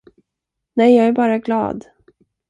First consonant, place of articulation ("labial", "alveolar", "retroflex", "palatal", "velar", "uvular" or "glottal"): alveolar